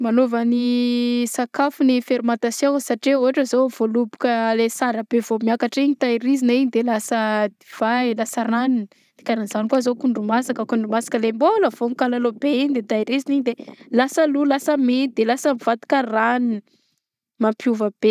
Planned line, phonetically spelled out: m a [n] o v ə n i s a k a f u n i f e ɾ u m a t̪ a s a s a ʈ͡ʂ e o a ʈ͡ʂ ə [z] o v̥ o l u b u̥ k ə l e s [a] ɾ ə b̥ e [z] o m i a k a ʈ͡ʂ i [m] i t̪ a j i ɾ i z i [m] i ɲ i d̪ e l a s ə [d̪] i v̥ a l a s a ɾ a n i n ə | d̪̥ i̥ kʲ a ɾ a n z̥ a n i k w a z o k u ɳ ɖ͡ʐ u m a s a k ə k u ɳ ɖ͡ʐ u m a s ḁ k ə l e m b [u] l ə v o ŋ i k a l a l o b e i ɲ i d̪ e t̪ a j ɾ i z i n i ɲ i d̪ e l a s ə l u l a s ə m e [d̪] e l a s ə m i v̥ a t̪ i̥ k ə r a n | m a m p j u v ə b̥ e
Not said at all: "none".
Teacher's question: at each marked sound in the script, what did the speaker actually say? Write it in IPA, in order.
n, z, a, v, ɲ, n, d̪, o, d̪

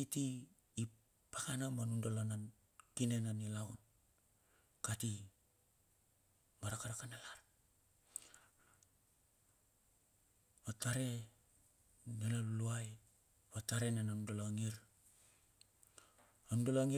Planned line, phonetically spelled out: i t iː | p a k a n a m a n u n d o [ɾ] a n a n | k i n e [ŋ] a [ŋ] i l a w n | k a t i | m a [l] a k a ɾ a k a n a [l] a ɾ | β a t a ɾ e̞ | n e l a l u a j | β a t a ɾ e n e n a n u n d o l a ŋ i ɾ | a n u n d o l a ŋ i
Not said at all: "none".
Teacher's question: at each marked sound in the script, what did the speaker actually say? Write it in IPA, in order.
l, n, n, ɾ, l

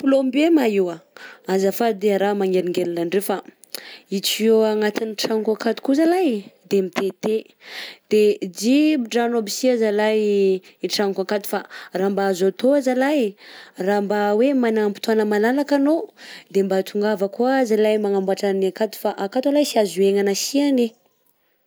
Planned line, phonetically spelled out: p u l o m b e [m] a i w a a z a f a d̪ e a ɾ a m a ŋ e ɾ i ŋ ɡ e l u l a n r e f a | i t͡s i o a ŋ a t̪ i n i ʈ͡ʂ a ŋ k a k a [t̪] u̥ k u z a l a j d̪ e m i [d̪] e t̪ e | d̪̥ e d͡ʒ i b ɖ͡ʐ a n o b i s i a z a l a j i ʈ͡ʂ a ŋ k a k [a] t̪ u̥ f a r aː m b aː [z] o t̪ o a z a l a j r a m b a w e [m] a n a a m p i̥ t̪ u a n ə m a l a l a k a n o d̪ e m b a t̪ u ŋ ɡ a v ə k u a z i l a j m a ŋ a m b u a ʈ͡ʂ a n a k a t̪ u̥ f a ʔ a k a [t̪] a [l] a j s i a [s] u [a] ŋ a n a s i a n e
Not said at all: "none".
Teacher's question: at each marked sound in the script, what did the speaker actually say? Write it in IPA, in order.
m, t̪, t̪, a, z, m, t̪, l, z, e

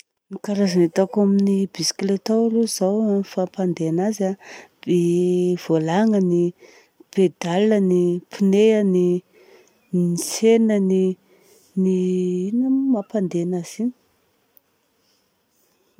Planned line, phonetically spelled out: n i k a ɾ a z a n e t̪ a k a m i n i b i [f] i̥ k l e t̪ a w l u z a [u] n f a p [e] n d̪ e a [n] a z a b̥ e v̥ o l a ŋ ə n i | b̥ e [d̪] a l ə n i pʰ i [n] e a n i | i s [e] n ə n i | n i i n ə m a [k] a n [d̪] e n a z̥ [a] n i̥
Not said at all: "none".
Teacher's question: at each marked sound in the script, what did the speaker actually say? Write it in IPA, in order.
s, w, a, n, d̪, n, e, p, d̪, i

